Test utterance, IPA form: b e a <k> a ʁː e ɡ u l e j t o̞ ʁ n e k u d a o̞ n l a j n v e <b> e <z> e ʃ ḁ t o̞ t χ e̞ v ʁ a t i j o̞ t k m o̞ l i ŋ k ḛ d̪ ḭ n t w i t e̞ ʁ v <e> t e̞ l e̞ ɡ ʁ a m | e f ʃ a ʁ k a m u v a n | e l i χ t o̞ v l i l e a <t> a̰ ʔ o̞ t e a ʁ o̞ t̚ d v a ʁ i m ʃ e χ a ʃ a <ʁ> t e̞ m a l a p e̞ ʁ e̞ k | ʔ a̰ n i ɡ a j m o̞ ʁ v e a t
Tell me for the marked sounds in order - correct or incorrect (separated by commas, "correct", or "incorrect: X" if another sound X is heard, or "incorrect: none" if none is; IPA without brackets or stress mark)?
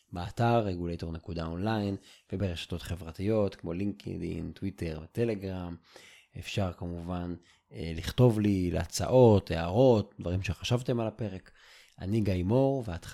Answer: incorrect: t, correct, incorrect: ʁ, correct, incorrect: t͡s, incorrect: v